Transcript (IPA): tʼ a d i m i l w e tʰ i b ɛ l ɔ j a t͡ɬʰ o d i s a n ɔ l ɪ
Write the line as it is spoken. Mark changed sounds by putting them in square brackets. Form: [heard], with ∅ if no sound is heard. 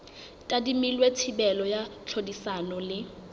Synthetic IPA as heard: tʼ a d i m i l w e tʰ i b ɛ l ɔ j a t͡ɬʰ o d i s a n ɔ l ɪ